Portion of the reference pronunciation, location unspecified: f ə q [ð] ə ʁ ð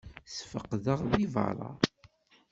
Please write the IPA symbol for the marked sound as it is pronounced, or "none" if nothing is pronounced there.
ð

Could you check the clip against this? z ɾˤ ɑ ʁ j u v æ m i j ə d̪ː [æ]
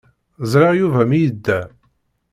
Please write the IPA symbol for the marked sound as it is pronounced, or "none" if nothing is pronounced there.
æ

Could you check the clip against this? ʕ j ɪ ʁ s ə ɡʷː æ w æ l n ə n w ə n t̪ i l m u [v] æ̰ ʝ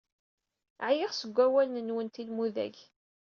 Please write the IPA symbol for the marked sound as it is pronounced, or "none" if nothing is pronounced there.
ð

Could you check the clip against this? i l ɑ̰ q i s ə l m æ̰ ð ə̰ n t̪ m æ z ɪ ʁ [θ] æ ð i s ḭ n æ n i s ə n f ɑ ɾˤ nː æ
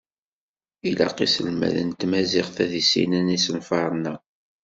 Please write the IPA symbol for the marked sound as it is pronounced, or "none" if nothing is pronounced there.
θ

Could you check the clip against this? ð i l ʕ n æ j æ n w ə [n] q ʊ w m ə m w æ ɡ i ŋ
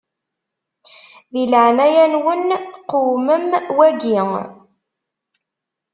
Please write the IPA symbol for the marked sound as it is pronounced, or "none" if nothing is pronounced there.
n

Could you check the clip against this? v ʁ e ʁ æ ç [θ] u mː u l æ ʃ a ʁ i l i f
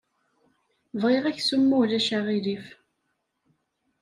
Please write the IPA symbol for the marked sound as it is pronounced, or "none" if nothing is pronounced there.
s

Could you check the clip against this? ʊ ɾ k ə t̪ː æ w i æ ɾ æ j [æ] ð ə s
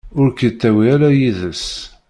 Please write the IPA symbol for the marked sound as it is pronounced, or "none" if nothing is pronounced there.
i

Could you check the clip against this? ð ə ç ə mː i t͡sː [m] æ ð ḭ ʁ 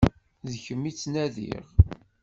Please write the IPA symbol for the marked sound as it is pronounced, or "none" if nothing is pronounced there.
n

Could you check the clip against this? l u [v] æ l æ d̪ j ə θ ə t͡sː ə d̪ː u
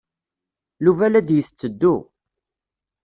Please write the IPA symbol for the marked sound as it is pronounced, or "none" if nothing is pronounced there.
v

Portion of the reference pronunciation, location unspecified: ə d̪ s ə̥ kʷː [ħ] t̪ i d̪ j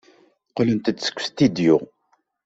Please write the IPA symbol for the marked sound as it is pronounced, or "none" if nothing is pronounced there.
s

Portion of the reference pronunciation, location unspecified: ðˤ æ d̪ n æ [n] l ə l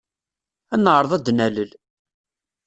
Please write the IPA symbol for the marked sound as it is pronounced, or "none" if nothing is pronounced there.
none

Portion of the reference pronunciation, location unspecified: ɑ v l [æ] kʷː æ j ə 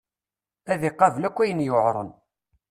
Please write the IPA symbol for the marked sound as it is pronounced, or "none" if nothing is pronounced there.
æ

